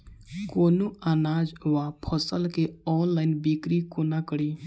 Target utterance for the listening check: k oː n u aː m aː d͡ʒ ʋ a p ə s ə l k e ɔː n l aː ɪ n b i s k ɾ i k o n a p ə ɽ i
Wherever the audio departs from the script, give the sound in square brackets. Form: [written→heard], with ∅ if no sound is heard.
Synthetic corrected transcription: k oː n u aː [m→n] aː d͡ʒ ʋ a [p→pʰ] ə s ə l k e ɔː n l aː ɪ n b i [s→∅] k ɾ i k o n a [p→k] ə ɽ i